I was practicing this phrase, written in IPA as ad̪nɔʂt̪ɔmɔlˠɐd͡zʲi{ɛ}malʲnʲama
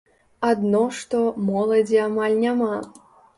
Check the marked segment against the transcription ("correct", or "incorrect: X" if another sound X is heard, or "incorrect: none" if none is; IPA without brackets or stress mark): incorrect: a